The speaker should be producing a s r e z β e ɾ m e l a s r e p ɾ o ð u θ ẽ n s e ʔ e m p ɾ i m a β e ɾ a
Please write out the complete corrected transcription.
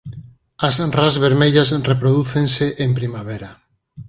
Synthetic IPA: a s r a z β e ɾ m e ʎ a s r e p ɾ o ð u θ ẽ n s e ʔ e m p ɾ i m a β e ɾ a